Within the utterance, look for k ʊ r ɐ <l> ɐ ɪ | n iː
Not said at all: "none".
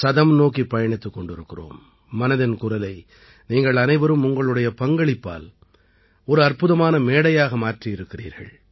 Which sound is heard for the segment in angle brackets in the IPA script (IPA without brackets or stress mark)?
l